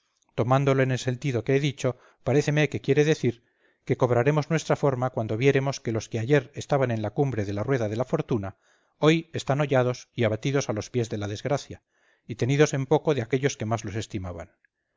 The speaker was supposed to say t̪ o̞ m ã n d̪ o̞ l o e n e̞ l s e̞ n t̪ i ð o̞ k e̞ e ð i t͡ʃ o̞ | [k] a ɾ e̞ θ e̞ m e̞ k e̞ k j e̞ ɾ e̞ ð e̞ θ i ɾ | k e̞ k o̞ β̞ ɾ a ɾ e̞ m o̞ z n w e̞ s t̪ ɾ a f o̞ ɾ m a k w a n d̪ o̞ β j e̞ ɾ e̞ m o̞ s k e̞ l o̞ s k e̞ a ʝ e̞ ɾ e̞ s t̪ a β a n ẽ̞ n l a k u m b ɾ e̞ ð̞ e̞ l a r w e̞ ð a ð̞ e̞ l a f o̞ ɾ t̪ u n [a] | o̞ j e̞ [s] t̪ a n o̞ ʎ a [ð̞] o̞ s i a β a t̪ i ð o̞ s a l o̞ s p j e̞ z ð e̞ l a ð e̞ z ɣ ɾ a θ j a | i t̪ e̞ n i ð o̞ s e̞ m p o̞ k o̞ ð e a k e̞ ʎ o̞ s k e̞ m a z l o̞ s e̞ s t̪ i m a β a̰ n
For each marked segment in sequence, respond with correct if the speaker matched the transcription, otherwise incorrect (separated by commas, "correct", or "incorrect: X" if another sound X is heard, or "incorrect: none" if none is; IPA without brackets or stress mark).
incorrect: p, correct, correct, correct